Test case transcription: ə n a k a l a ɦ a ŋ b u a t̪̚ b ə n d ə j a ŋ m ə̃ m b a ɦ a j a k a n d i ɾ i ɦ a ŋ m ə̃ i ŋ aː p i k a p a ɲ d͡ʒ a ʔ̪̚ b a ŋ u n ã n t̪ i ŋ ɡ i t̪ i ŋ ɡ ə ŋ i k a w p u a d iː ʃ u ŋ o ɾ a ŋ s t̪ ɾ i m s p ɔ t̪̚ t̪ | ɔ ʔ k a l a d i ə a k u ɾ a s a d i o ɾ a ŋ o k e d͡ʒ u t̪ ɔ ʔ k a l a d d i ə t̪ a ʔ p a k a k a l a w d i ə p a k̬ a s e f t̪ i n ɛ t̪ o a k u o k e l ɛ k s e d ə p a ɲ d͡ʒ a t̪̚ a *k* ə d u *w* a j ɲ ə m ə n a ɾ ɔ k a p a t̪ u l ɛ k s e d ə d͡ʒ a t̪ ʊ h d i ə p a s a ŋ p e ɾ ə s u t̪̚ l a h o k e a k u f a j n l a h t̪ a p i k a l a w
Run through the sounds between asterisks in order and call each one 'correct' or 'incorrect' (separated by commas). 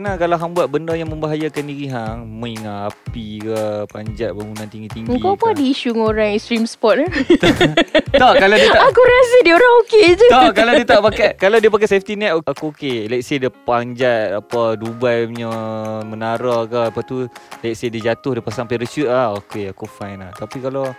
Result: incorrect, incorrect